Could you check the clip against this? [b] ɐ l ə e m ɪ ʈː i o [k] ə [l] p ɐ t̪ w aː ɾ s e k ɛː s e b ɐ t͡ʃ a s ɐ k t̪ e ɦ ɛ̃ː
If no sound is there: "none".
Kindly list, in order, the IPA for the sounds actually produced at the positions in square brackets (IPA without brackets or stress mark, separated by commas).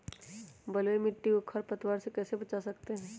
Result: b, kʰ, ɾ